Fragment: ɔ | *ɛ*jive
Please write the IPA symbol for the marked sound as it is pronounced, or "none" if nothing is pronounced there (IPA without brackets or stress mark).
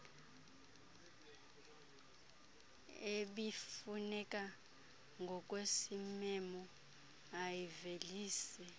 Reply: a